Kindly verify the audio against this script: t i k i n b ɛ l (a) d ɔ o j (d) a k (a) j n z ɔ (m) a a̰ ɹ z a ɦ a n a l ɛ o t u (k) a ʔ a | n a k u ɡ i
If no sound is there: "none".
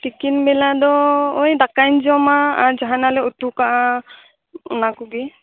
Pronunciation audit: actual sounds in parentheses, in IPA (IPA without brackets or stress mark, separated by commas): a, d, a, m, k